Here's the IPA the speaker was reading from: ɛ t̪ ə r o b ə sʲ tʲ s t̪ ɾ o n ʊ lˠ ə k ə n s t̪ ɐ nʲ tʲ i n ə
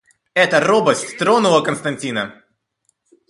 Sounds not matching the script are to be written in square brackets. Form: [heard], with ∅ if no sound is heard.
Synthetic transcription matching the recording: ɛ t̪ ə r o b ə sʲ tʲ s t̪ ɾ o n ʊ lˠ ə k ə n s t̪ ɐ nʲ tʲ i n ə

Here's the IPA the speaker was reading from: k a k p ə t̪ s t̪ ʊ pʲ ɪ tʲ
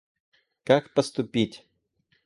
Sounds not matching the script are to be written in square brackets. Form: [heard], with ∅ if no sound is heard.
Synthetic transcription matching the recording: k a k p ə [∅] s t̪ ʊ pʲ [i] tʲ

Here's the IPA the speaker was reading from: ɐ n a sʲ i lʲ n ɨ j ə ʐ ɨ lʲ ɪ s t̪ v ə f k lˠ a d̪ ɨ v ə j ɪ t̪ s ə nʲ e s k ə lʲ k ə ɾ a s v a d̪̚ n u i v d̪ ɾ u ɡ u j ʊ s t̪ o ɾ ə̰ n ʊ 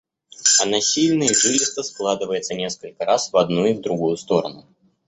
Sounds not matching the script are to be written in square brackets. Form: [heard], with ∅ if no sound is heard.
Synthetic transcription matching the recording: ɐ n a sʲ i lʲ n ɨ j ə ʐ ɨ lʲ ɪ s t̪ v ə [s] k lˠ a d̪ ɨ v ə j ɪ t̪ s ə nʲ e s k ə lʲ k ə ɾ a s v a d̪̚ n u i v d̪ ɾ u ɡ u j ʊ s t̪ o ɾ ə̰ n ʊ

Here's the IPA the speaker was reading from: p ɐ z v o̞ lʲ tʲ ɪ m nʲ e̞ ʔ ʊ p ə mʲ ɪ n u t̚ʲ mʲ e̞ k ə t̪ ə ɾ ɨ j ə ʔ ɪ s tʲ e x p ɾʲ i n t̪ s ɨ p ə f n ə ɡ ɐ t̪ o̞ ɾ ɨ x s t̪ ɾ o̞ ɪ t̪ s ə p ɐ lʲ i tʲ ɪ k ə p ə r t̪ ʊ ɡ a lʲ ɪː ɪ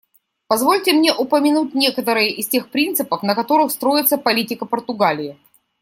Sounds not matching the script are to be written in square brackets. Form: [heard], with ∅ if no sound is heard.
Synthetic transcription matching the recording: p ɐ z v o̞ lʲ tʲ ɪ m nʲ e̞ ʔ ʊ p ə mʲ ɪ n u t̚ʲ [nʲ] e̞ k ə t̪ ə ɾ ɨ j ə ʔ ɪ s tʲ e x p ɾʲ i n t̪ s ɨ p ə f n ə [k] ɐ t̪ o̞ ɾ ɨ x s t̪ ɾ o̞ ɪ t̪ s ə p ɐ lʲ i tʲ ɪ k ə p ə r t̪ ʊ ɡ a lʲ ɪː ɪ

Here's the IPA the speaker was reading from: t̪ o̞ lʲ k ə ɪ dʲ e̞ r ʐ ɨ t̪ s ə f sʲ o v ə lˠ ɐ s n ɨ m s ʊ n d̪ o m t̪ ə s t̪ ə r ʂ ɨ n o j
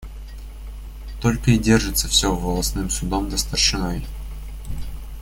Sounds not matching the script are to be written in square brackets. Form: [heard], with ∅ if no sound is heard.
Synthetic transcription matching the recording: t̪ o̞ lʲ k ə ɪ dʲ e̞ r ʐ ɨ t̪ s ə f sʲ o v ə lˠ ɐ s n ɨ m s ʊ [∅] d̪ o m [d̪] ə s t̪ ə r ʂ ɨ n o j

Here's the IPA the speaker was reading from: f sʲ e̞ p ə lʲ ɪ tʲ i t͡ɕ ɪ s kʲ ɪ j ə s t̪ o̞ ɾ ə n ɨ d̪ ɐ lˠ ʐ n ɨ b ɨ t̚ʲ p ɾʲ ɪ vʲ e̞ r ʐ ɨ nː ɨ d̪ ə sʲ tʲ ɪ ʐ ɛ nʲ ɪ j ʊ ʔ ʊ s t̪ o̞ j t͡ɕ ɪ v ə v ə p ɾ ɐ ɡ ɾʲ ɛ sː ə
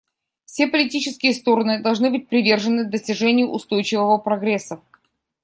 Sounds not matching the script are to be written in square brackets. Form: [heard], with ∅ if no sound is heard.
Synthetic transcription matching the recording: f sʲ e̞ p ə lʲ ɪ tʲ i t͡ɕ ɪ s kʲ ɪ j ə s t̪ o̞ ɾ ə n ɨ d̪ ɐ lˠ ʐ n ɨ b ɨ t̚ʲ p ɾʲ ɪ vʲ e̞ r ʐ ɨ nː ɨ d̪ ə sʲ tʲ ɪ ʐ ɛ nʲ ɪ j ʊ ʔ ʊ s t̪ o̞ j t͡ɕ ɪ v ə v ə p ɾ ɐ ɡ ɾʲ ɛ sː ə

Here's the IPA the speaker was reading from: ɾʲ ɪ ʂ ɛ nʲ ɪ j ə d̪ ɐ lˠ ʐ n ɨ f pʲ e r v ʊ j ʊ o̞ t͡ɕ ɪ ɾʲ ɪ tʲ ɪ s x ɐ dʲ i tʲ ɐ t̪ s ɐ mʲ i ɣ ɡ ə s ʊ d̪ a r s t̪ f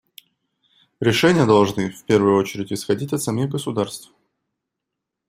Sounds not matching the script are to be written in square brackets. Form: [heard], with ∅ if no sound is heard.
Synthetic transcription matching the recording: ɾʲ ɪ ʂ ɛ nʲ ɪ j ə d̪ ɐ lˠ ʐ n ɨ f pʲ e r v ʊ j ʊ o̞ t͡ɕ ɪ ɾʲ ɪ tʲ ɪ s x ɐ dʲ i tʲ ɐ t̪ s ɐ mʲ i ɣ ɡ ə s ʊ d̪ a r s t̪ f

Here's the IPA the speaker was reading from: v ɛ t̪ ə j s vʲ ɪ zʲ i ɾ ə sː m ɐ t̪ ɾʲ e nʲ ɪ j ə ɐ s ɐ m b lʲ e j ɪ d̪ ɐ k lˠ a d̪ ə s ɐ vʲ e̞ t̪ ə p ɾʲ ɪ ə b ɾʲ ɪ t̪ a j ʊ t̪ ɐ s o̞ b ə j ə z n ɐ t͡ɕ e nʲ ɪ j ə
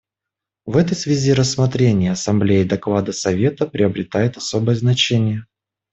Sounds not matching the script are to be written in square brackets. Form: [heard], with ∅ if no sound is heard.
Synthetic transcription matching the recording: v ɛ t̪ ə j s vʲ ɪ zʲ i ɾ ə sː m ɐ t̪ ɾʲ e nʲ ɪ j ə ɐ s ɐ m b lʲ e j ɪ d̪ ɐ k lˠ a d̪ ə s ɐ vʲ e̞ t̪ ə p ɾʲ ɪ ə b ɾʲ ɪ t̪ a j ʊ t̪ ɐ s o̞ b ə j ə z n ɐ t͡ɕ e nʲ ɪ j ə

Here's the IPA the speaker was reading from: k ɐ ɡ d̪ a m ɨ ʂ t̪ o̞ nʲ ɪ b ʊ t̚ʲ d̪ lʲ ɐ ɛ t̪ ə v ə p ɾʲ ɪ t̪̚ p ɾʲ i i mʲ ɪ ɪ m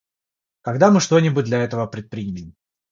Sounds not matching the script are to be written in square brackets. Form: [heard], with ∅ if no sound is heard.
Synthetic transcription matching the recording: k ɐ ɡ d̪ a m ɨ ʂ t̪ o̞ nʲ ɪ b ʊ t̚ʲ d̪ lʲ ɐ ɛ t̪ ə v ə p ɾʲ ɪ t̪̚ p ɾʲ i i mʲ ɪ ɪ m

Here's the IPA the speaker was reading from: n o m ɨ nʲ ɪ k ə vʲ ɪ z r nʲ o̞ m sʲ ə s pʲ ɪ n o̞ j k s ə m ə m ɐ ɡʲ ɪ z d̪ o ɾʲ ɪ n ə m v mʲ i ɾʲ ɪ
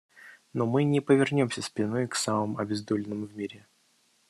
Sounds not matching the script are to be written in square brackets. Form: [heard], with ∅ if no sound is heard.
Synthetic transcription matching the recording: n o m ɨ nʲ ɪ [p] ə vʲ ɪ [∅] r nʲ o̞ m sʲ ə s pʲ ɪ n o̞ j k s [a] m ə m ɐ [bʲ] ɪ z d̪ o [lʲ] ɪ n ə m v mʲ i ɾʲ ɪ

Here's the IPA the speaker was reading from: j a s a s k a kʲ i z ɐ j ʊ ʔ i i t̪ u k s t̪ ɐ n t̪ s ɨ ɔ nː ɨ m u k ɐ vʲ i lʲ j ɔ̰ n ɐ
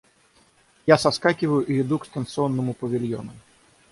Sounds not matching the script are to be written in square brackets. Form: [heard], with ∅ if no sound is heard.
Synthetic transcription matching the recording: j a s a s k a kʲ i [v] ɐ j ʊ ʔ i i [d̪] u k s t̪ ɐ n t̪ s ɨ ɔ nː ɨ m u [p] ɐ vʲ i lʲ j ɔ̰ n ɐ

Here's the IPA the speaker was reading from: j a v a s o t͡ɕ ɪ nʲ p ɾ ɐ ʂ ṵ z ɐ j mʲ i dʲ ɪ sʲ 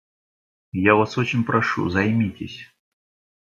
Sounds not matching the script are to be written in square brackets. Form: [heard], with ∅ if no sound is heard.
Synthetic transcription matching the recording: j a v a s o t͡ɕ ɪ nʲ p ɾ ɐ ʂ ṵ z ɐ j mʲ i [tʲ] ɪ sʲ

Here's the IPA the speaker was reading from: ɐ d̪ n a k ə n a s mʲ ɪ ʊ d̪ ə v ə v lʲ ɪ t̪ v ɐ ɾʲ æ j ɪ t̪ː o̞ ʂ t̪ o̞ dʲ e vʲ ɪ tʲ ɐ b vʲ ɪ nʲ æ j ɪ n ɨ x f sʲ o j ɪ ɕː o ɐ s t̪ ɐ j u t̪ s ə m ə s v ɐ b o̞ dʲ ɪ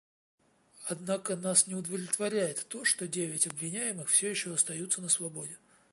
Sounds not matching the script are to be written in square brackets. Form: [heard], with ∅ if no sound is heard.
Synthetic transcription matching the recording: ɐ d̪ n a k ə n a s [nʲ] ɪ ʊ d̪ ə v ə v lʲ ɪ t̪ v ɐ ɾʲ æ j ɪ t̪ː o̞ ʂ t̪ o̞ dʲ e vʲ ɪ tʲ ɐ b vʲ ɪ nʲ æ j ɪ [m] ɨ x f sʲ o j ɪ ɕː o ɐ s t̪ ɐ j u t̪ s ə [n] ə s v ɐ b o̞ dʲ ɪ

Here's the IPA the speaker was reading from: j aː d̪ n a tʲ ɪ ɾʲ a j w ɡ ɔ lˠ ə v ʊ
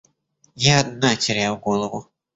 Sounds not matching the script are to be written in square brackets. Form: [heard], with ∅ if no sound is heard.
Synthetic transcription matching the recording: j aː d̪ n a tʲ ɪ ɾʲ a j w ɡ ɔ lˠ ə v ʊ

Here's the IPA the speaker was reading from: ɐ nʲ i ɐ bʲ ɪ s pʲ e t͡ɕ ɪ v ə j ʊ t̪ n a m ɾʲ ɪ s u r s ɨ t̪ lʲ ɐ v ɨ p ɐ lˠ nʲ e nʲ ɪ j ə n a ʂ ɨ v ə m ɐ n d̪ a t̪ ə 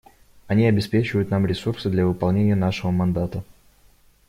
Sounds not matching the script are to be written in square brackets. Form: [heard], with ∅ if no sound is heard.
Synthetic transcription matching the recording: ɐ nʲ i ɐ bʲ ɪ s pʲ e t͡ɕ ɪ v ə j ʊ t̪ n a m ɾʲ ɪ s u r s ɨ [d̪] lʲ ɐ v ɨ p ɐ lˠ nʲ e nʲ ɪ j ə n a ʂ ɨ v ə m ɐ n d̪ a t̪ ə

